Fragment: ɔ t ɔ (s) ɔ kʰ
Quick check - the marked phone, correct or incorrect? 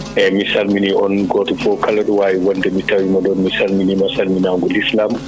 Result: incorrect